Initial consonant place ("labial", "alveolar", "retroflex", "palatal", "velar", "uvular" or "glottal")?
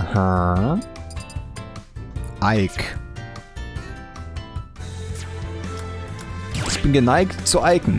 glottal